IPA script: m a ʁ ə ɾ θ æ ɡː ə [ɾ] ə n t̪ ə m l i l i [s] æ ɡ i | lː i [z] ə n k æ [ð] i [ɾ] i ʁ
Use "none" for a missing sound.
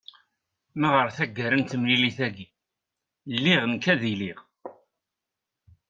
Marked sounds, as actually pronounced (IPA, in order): ɾ, θ, ʁ, ð, l

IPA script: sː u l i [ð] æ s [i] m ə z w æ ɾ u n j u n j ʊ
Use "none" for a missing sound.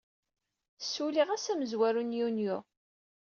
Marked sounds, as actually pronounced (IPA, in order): ʁ, æ

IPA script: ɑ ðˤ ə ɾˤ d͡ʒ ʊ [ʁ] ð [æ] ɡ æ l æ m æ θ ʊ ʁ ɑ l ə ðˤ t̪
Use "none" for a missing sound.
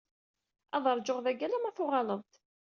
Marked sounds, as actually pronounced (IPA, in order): ʁ, æ

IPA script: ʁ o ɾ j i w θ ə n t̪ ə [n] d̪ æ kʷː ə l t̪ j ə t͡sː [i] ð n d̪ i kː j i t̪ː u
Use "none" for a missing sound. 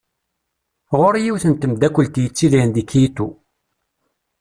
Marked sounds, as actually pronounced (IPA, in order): m, i

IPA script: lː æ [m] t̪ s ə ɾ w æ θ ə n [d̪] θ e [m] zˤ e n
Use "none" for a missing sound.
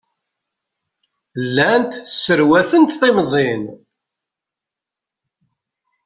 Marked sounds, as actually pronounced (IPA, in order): n, t̪, m

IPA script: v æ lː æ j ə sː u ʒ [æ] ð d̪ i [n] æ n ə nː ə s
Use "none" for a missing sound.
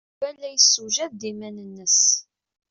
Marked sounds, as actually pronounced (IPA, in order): æ, m

